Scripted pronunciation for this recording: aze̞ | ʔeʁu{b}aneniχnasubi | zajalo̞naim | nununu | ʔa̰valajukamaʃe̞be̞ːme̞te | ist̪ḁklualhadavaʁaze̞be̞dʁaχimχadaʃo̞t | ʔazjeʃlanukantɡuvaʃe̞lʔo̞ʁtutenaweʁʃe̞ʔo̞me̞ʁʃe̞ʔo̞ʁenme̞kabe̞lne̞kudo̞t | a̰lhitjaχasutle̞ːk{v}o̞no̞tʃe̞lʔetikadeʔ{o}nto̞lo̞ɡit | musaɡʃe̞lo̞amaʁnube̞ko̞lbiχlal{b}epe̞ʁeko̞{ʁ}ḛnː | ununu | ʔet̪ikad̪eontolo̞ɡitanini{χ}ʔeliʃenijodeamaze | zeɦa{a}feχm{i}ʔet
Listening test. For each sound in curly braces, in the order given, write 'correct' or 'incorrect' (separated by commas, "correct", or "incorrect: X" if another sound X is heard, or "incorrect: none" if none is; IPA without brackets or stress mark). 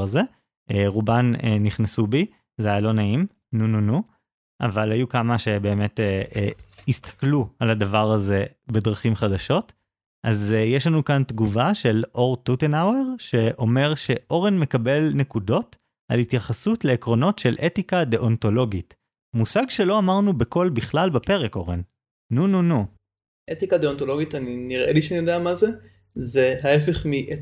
correct, incorrect: ʁ, correct, correct, correct, incorrect: ʁ, incorrect: e, correct